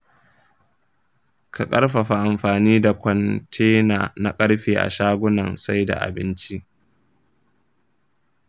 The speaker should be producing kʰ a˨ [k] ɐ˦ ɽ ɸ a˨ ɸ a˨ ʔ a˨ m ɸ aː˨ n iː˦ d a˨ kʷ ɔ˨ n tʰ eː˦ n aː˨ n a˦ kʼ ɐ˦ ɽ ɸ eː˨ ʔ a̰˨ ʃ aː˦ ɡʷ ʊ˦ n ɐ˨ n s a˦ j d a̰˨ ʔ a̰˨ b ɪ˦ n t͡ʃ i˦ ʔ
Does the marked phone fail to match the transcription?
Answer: yes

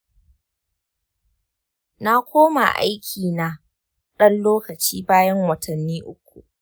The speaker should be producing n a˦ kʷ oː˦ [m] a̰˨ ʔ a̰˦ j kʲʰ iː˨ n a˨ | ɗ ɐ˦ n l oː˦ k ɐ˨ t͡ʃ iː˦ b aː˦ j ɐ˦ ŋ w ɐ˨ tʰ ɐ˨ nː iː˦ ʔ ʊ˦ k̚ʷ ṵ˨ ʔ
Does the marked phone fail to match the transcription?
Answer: no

